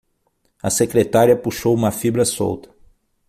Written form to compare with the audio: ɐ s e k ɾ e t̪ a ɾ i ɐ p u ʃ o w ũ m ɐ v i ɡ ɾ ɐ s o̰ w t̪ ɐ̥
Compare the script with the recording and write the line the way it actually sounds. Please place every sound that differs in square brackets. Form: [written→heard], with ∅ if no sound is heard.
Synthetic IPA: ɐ s e k ɾ e t̪ a ɾ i ɐ p u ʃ o w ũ m ɐ [v→f] i [ɡ→b] ɾ ɐ s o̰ w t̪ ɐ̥